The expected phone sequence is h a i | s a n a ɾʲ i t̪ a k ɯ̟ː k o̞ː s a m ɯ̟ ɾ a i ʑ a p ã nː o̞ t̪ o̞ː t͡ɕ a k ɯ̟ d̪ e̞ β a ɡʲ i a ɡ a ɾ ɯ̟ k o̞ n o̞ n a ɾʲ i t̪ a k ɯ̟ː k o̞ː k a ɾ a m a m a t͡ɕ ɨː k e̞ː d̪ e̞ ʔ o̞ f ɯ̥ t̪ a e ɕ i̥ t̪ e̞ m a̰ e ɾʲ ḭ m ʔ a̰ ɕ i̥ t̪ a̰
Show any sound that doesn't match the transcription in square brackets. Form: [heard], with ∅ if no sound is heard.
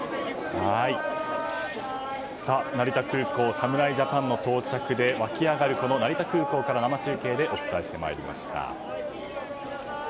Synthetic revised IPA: h a i | s a n a ɾʲ i t̪ a k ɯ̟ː k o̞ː s a m ɯ̟ ɾ a i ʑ a p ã nː o̞ t̪ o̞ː t͡ɕ a k ɯ̟ d̪ e̞ β a [kʲ] i a ɡ a ɾ ɯ̟ k o̞ n o̞ n a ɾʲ i t̪ a k ɯ̟ː k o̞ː k a ɾ a [n] a m a t͡ɕ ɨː k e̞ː d̪ e̞ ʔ o̞ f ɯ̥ t̪ a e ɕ i̥ t̪ e̞ m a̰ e ɾʲ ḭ m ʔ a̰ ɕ i̥ t̪ a̰

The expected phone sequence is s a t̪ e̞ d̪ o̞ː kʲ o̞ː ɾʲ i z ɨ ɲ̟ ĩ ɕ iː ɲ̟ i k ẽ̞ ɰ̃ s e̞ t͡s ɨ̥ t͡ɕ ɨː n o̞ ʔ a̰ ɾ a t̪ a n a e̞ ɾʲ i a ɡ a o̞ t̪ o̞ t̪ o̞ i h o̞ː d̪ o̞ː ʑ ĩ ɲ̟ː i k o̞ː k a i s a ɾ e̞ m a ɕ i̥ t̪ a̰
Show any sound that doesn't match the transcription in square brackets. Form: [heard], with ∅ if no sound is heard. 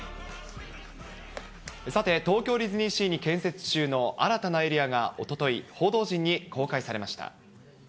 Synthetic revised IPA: s a t̪ e̞ [t̪] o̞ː kʲ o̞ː ɾʲ i z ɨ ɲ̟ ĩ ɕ iː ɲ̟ i k ẽ̞ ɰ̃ s e̞ t͡s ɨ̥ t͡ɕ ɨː n o̞ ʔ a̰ ɾ a t̪ a n a e̞ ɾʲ i a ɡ a o̞ t̪ o̞ t̪ o̞ i h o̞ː d̪ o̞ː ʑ ĩ ɲ̟ː i k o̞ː k a i s a ɾ e̞ m a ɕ i̥ t̪ a̰

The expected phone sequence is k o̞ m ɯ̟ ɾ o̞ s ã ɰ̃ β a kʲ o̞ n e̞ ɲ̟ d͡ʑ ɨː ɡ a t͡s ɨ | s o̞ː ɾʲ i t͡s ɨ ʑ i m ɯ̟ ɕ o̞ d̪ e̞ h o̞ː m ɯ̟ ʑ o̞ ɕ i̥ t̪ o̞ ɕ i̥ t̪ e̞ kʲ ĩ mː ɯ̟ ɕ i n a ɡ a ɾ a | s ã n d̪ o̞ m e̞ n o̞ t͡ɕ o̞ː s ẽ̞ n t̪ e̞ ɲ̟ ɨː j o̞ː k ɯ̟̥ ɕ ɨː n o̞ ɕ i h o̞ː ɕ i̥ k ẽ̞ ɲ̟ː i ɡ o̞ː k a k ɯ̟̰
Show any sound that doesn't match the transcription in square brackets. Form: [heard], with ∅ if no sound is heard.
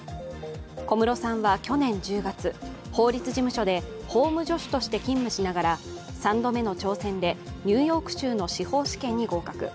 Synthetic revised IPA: k o̞ m ɯ̟ ɾ o̞ s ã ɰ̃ β a kʲ o̞ n [ẽ̞] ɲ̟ d͡ʑ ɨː ɡ a t͡s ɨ | [h] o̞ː ɾʲ i t͡s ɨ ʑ i m ɯ̟ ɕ o̞ d̪ e̞ h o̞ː m ɯ̟ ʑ o̞ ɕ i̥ t̪ o̞ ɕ i̥ t̪ e̞ kʲ ĩ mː ɯ̟ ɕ i n a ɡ a ɾ a | s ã n d̪ o̞ m e̞ n o̞ t͡ɕ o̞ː s ẽ̞ n [d̪] e̞ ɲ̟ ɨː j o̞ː k ɯ̟̥ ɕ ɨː n o̞ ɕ i h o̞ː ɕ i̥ k ẽ̞ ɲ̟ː i ɡ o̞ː k a k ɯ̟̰

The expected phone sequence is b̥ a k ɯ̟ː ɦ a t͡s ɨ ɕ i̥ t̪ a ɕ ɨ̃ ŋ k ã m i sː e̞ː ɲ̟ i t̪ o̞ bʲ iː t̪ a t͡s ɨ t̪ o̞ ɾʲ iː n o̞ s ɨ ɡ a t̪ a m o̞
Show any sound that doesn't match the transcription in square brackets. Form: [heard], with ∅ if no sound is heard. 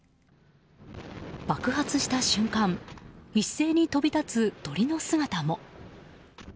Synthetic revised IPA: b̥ a k [ɯ̟] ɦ a t͡s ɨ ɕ i̥ t̪ a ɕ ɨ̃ ŋ k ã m i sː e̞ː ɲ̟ i t̪ o̞ bʲ [i] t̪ a t͡s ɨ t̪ o̞ ɾʲ [i] n o̞ s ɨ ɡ a t̪ a m o̞

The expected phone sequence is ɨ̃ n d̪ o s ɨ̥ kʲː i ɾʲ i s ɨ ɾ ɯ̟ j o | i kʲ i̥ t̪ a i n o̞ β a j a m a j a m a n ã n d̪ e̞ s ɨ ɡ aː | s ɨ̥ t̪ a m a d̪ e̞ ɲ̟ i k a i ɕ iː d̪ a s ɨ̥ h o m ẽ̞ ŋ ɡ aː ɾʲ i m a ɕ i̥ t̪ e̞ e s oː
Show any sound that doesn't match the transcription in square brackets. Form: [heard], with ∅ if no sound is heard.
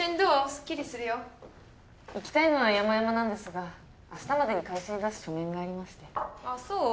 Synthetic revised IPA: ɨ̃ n d̪ o s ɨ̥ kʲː i ɾʲ i s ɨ ɾ ɯ̟ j o | i kʲ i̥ t̪ a i n o̞ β a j a m a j a m a n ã n d̪ e̞ s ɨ ɡ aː | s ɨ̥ t̪ a m a d̪ e̞ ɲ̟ i k a i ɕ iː d̪ a s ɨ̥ [ɕ] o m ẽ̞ ŋ ɡ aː ɾʲ i m a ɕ i̥ t̪ e̞ [a] s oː

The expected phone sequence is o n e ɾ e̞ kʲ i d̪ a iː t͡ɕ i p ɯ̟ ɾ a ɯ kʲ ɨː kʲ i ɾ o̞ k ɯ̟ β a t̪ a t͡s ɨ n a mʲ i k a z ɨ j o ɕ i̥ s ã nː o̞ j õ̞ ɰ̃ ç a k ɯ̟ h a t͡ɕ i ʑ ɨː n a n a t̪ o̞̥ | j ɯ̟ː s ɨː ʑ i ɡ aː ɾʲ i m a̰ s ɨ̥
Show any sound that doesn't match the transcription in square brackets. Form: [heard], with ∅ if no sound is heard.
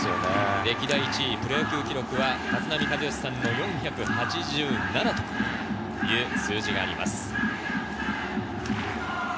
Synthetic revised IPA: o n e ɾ e̞ kʲ i d̪ a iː t͡ɕ i p ɯ̟ ɾ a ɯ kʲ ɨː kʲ i ɾ o̞ k ɯ̟ β a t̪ a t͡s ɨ n a mʲ i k a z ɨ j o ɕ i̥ s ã nː o̞ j õ̞ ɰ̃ ç a k ɯ̟ h a t͡ɕ i ʑ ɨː n a n a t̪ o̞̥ | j ɯ̟ː s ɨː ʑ i ɡ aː ɾʲ i m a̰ s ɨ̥

